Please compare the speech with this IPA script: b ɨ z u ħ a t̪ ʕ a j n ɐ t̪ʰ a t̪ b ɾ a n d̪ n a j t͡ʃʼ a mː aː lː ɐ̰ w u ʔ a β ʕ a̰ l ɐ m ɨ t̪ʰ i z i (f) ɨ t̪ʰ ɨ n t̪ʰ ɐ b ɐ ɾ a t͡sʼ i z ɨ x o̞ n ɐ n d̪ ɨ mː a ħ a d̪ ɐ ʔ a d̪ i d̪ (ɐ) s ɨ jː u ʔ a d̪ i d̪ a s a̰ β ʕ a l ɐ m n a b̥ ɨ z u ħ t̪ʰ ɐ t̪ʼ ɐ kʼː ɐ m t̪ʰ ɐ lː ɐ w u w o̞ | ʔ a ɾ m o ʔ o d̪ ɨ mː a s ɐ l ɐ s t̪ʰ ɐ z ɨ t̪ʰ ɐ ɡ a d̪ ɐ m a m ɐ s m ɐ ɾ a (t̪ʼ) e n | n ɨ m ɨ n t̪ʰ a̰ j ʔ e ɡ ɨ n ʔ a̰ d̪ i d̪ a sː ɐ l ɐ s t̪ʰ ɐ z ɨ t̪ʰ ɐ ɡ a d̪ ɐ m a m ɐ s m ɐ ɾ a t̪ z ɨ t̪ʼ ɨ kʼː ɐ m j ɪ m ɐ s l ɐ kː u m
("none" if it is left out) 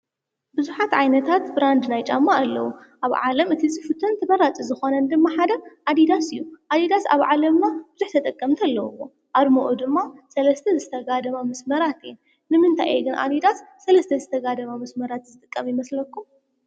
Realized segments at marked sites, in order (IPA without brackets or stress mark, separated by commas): f, a, t̪